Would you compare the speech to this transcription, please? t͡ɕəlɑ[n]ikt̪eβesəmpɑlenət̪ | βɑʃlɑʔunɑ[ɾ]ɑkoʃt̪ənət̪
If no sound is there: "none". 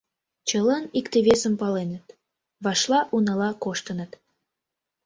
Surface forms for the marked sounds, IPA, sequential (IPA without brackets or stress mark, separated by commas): n, l